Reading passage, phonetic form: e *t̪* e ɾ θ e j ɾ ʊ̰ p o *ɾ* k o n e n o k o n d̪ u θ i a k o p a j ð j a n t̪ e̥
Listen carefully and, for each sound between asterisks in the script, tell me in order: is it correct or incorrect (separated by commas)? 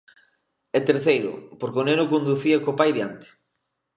correct, correct